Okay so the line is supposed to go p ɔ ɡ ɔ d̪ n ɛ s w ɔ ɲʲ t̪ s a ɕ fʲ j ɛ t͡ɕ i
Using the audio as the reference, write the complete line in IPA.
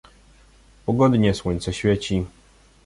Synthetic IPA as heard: p ɔ ɡ ɔ d̪ ɲ ɛ s w ɔ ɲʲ t̪ s ɛ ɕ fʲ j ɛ t͡ɕ i